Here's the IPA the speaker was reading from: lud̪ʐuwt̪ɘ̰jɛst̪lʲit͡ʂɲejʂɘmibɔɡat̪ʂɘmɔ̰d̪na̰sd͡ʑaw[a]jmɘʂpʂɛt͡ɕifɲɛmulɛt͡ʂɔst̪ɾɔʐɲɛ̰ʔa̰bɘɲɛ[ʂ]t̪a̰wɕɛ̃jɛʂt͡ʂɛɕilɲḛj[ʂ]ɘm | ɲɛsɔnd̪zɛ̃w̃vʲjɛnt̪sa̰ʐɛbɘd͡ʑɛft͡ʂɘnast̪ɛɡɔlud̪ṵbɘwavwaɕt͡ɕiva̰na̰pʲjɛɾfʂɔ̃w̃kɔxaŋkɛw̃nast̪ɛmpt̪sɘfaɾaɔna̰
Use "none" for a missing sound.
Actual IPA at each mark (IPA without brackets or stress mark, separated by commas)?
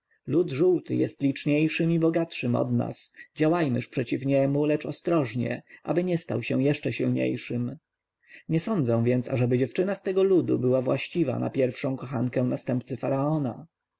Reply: a, s, ʂ